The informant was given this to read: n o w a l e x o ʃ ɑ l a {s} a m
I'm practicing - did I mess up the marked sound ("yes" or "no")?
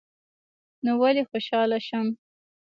yes